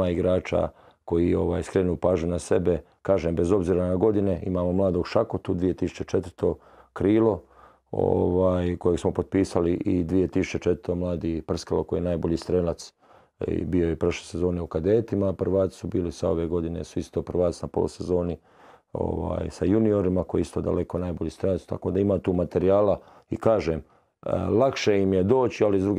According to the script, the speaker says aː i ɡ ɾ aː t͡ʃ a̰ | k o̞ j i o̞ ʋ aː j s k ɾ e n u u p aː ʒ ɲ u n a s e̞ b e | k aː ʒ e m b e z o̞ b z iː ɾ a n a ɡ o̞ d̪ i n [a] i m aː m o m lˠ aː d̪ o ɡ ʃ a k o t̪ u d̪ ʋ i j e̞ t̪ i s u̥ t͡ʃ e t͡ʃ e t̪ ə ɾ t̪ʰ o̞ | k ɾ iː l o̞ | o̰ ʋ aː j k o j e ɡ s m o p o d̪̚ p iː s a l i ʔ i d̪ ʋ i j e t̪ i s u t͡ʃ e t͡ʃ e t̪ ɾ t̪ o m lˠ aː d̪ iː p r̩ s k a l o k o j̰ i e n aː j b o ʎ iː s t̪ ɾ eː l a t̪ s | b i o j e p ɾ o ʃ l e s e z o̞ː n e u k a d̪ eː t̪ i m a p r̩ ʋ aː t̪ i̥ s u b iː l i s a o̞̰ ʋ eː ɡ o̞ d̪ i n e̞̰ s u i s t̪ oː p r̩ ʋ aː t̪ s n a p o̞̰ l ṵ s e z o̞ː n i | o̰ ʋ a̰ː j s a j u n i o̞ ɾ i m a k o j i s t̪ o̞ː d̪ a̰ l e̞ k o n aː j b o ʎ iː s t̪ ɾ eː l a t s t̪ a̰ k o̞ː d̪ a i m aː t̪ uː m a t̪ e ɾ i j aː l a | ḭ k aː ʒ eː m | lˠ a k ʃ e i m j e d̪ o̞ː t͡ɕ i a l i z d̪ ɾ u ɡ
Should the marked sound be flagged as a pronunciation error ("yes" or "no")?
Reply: yes